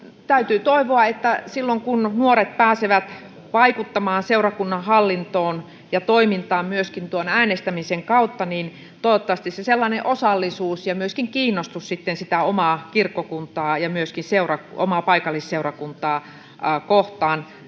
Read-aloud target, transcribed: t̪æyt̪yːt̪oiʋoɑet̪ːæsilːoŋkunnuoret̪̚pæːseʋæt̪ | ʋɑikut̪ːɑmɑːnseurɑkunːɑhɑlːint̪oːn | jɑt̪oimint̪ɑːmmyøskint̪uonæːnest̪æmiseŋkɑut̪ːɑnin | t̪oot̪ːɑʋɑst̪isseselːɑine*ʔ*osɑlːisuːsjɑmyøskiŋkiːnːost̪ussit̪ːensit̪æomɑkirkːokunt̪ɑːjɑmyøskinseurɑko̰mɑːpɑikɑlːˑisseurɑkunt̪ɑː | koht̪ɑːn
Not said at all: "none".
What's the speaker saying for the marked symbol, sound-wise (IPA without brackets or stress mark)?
ʔ